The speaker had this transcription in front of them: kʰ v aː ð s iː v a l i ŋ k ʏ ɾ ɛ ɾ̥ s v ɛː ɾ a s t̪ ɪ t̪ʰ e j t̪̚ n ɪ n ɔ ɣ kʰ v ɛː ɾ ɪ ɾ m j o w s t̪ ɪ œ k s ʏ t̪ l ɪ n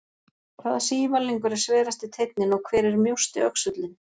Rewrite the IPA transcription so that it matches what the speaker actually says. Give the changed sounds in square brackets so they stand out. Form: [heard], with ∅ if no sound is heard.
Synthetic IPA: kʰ v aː ð s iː v a l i ŋ k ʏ ɾ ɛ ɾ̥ s v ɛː ɾ a s t̪ ɪ t̪ʰ e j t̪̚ n ɪ n ɔ ɣ kʰ v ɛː ɾ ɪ ɾ m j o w s t̪ ɪ œ k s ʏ t̪ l ɪ n